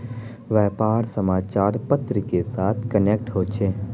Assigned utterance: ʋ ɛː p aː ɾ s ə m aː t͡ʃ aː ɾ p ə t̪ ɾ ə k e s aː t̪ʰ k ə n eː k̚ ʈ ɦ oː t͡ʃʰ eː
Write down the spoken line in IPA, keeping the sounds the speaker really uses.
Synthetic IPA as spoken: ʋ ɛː p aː ɾ s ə m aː t͡ʃ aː ɾ p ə t̪ ɾ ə k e s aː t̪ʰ k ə n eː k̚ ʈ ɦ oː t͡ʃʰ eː